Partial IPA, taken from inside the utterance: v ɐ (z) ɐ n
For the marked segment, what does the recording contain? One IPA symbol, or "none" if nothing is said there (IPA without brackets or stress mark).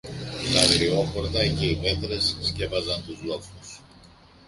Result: z